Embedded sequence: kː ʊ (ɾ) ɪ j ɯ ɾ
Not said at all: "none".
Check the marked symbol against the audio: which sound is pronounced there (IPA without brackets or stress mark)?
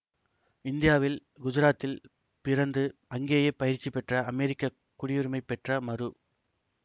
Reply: ɽ